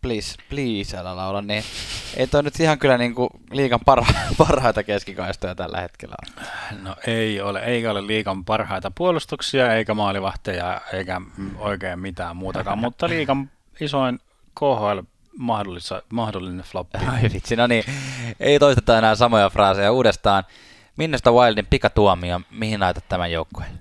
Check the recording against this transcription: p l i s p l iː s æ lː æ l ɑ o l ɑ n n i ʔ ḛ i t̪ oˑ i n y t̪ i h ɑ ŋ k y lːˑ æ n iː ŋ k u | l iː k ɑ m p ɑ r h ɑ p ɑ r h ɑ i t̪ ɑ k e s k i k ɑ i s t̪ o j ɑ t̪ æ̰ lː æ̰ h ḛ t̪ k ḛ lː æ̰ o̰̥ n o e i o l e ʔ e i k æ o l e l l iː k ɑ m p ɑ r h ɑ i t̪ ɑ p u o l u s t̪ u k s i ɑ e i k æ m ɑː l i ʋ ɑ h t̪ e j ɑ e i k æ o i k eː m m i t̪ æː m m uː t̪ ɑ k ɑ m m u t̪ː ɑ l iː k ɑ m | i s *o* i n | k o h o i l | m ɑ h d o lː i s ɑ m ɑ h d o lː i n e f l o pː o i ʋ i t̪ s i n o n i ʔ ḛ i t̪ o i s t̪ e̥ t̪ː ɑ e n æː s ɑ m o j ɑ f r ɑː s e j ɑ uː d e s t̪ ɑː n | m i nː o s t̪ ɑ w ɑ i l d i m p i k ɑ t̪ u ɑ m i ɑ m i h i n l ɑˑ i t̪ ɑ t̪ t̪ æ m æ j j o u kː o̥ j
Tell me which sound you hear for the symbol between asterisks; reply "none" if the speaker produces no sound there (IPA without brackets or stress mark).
o